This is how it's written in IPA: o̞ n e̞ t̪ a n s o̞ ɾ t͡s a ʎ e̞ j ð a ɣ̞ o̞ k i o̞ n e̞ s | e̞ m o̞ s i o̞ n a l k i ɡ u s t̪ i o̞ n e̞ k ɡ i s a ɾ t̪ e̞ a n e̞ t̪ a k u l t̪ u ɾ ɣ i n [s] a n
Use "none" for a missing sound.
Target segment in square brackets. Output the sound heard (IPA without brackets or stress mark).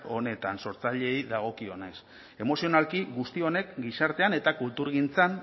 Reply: t͡s